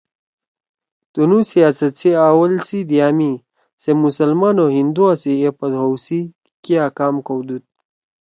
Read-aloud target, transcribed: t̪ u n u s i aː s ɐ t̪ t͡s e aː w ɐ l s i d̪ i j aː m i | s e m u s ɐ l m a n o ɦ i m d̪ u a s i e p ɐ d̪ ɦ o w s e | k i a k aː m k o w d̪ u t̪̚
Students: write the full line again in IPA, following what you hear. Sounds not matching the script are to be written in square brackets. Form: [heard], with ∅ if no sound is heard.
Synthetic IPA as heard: t̪ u n u s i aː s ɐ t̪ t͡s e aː w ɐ l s i d̪ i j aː m i | s e m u s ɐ l m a n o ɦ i [n] d̪ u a s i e p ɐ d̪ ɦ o w s [i] | k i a k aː m k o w d̪ u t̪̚